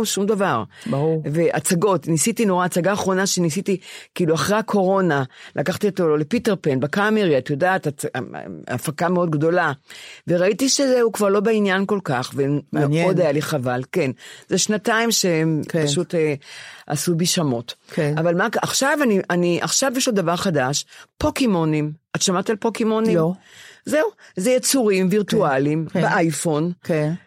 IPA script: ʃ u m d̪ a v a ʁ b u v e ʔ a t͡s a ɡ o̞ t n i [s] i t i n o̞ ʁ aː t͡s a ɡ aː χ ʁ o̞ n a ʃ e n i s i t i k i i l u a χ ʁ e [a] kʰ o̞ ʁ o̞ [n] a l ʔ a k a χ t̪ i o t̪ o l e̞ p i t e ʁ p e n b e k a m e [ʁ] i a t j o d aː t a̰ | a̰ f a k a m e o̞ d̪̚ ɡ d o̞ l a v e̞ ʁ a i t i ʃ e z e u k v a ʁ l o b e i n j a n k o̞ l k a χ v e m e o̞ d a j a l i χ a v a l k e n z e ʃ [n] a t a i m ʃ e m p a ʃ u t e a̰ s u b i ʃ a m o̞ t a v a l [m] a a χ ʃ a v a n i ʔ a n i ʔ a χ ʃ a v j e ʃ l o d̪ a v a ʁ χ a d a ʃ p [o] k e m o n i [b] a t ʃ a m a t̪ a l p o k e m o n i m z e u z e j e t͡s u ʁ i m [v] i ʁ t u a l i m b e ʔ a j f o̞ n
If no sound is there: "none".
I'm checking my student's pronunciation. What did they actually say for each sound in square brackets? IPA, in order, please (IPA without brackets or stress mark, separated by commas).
s, a, n, ʁ, n, m, o, m, v